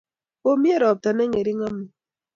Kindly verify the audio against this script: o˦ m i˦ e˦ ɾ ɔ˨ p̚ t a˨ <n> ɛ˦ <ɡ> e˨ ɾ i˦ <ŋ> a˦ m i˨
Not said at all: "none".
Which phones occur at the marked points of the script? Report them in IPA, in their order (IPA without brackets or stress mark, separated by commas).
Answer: n, ŋ, ŋ